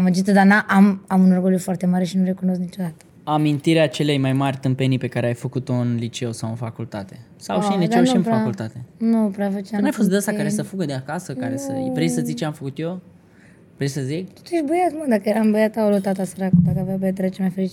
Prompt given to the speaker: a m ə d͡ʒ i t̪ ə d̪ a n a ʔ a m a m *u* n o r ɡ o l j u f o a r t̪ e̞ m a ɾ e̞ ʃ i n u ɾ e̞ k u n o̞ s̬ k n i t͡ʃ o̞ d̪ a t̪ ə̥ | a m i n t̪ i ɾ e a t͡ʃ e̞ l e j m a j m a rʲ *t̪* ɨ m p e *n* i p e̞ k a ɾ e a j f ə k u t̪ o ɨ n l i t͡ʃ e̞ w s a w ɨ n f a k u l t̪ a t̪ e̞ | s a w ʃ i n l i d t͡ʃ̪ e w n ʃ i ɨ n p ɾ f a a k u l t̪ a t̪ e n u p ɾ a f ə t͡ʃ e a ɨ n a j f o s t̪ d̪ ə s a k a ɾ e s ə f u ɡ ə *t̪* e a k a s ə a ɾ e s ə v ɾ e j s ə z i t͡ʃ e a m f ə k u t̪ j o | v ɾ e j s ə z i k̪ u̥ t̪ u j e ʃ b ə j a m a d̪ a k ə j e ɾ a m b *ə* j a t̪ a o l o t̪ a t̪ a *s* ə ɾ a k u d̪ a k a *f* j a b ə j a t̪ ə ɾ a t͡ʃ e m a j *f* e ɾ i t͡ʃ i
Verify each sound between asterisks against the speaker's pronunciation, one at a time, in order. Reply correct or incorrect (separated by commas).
correct, correct, correct, incorrect, correct, correct, incorrect, correct